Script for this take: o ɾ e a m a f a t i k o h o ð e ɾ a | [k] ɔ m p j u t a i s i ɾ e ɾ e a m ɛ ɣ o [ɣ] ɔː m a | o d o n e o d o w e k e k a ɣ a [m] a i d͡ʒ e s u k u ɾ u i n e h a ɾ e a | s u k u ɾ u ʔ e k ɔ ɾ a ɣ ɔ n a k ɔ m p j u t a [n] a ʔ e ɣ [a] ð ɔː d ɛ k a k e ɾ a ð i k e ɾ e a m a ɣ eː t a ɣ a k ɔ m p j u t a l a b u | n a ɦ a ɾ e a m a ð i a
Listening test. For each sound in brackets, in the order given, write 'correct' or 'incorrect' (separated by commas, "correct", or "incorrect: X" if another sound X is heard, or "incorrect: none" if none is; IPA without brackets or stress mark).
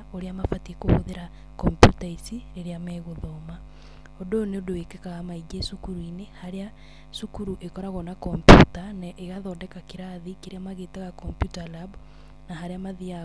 correct, incorrect: ð, correct, correct, correct